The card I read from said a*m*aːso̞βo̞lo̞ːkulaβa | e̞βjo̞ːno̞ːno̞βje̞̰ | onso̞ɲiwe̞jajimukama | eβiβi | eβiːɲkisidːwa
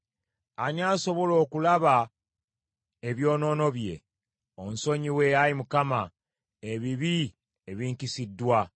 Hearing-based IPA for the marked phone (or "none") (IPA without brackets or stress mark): ɲ